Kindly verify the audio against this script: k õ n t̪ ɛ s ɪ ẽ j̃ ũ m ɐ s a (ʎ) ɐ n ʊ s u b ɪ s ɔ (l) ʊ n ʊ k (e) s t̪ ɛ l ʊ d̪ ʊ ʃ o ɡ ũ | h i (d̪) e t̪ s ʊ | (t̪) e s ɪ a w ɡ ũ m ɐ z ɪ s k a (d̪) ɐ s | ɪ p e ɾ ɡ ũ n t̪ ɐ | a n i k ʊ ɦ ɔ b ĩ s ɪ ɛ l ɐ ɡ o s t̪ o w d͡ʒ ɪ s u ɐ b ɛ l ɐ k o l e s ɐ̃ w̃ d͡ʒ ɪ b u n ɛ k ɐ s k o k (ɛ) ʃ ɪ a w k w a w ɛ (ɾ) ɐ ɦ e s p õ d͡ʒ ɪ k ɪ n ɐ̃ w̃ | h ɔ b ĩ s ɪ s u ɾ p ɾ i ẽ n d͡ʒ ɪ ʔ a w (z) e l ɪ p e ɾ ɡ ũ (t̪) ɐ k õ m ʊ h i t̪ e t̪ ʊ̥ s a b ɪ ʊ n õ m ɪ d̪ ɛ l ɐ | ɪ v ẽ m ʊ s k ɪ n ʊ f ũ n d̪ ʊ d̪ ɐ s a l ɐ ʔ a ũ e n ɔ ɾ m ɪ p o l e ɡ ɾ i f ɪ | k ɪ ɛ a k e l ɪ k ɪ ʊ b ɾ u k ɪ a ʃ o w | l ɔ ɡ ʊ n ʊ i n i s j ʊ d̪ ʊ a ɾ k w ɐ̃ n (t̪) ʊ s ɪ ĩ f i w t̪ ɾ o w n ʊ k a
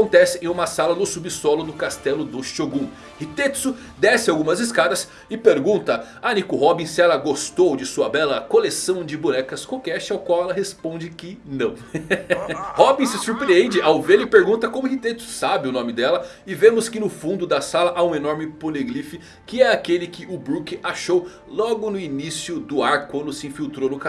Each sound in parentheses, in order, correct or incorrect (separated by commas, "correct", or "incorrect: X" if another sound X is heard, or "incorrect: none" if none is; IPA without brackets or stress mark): incorrect: l, correct, incorrect: a, incorrect: t̪, incorrect: d̪, correct, correct, incorrect: l, incorrect: v, correct, incorrect: d̪